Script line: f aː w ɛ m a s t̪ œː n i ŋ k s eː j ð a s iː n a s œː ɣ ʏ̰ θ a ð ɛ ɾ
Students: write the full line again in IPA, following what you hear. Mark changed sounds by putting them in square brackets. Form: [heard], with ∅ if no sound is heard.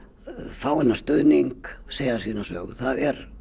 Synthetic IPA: f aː w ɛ [n] a s t̪ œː n i ŋ k s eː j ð a s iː n a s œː ɣ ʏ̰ θ a ð ɛ ɾ